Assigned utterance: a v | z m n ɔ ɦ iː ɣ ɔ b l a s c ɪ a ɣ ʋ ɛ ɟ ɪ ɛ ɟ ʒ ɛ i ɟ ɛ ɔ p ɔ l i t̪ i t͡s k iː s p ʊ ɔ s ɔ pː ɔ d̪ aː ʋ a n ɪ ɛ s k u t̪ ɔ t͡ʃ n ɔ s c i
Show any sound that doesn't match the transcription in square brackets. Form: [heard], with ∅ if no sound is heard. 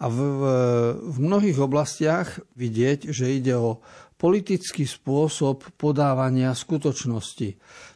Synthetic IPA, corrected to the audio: a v | [v] m n ɔ ɦ iː ɣ ɔ b l a s c ɪ a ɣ ʋ [i] ɟ ɪ ɛ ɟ ʒ ɛ i ɟ ɛ ɔ p ɔ l i t̪ i t͡s k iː s p ʊ ɔ s ɔ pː ɔ d̪ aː ʋ a [ɲ] ɪ [a] s k u t̪ ɔ t͡ʃ n ɔ s c i